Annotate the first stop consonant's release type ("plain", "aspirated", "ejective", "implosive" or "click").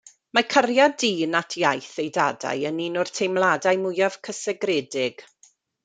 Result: aspirated